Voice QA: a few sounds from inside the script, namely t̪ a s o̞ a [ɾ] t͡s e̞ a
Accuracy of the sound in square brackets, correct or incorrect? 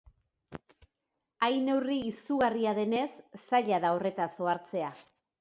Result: correct